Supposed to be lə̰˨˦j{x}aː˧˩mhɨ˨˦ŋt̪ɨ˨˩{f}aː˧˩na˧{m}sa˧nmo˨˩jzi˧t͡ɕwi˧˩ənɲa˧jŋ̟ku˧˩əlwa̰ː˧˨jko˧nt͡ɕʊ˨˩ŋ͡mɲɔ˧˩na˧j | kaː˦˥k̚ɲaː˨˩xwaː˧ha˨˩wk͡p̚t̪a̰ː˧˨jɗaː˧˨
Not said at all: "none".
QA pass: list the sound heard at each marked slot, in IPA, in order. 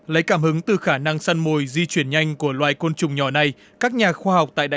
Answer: k, x, ŋ

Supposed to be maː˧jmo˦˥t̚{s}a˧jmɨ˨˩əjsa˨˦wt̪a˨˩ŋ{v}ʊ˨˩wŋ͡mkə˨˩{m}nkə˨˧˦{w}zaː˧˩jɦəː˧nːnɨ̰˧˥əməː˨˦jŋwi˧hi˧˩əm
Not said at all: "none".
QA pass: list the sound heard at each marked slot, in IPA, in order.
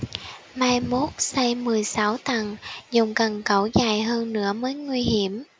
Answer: s, z, none, w

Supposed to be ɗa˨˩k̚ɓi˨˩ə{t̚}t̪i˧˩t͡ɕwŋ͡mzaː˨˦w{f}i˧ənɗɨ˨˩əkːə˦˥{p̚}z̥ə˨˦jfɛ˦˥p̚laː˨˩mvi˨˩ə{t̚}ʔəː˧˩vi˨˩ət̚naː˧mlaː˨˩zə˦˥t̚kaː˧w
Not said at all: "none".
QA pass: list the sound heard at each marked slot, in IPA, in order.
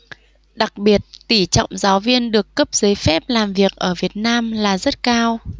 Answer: t̚, v, p̚, k̚

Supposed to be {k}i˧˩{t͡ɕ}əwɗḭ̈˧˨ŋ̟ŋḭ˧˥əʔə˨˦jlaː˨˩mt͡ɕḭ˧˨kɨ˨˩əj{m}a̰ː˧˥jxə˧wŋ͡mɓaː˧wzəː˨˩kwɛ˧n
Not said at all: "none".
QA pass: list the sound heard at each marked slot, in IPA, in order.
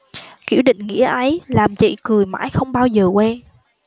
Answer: k, none, m

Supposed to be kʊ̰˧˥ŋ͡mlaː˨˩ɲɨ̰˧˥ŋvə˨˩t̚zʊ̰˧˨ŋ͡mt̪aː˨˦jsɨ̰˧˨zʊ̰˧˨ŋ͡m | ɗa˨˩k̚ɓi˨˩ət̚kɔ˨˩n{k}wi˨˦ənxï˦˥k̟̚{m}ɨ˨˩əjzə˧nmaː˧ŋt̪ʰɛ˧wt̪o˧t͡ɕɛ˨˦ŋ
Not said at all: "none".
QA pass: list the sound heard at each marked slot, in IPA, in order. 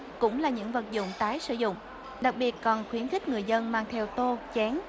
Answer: x, ŋ

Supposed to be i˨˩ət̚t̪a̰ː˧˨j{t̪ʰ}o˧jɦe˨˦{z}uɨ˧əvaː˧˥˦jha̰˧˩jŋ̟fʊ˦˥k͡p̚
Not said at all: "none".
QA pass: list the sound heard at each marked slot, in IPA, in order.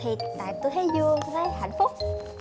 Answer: t̪, z

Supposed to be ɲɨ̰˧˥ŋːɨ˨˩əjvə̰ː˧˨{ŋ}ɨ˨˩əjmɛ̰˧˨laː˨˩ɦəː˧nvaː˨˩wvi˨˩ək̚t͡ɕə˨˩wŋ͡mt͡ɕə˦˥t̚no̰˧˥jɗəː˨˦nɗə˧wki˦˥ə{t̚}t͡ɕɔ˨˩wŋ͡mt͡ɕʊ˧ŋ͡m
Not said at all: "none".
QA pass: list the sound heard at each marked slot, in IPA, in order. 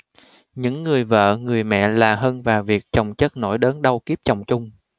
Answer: ŋ, p̚

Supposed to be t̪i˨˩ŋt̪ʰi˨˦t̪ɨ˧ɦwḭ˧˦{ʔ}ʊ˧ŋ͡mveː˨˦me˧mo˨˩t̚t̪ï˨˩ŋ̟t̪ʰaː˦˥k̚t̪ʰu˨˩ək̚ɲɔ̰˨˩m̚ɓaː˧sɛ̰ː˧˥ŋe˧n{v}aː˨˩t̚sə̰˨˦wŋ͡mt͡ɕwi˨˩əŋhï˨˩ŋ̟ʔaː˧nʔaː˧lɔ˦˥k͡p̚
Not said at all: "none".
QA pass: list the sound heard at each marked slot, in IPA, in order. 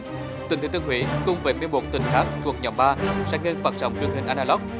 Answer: k, f

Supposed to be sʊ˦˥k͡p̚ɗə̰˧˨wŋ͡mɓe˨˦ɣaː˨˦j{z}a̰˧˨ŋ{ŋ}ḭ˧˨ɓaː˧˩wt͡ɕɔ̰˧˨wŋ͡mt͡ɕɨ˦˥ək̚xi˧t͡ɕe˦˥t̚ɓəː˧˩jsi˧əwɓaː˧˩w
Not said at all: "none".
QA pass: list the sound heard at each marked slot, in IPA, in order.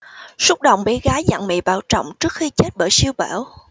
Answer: z, m

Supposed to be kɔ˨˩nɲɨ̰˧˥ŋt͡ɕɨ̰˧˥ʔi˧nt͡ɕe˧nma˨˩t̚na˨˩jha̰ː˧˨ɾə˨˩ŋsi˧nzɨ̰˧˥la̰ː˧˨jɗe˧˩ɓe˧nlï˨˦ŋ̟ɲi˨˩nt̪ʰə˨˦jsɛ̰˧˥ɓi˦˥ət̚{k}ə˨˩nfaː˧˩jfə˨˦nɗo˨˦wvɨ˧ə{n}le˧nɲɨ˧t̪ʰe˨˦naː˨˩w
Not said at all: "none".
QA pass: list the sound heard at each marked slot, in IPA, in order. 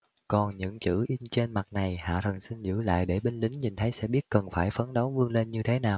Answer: k, ŋ

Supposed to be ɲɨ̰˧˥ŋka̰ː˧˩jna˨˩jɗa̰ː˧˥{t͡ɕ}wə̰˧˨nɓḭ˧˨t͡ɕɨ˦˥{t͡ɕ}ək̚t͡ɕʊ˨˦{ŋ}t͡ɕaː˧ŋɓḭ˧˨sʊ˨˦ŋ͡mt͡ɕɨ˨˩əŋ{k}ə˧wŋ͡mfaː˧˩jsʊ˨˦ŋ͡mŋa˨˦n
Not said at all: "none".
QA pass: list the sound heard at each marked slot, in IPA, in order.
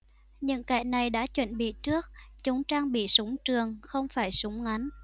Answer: t͡ɕ, none, ŋ͡m, x

